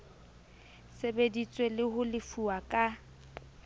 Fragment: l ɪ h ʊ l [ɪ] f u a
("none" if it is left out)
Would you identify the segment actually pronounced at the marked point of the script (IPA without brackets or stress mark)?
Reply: ɪ